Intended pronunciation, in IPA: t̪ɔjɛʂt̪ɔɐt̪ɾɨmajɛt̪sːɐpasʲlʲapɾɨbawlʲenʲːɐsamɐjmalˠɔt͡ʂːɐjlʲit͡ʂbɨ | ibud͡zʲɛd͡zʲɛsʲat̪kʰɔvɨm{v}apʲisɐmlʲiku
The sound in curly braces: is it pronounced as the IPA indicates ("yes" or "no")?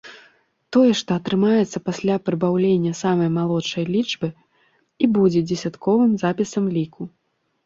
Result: no